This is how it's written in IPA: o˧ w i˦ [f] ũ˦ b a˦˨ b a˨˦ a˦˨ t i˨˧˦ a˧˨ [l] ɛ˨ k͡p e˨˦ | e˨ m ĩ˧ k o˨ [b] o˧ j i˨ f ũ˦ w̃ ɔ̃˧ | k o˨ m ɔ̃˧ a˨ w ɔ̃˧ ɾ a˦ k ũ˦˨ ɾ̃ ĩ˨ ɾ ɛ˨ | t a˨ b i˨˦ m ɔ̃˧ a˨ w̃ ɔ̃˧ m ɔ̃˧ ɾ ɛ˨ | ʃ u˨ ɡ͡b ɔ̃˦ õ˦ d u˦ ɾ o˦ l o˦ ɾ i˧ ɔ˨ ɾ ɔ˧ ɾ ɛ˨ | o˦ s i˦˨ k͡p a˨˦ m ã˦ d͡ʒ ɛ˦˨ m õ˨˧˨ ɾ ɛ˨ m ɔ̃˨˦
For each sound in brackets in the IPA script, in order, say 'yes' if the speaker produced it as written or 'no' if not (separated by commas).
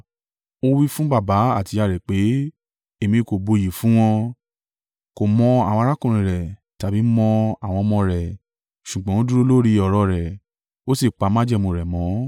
yes, no, yes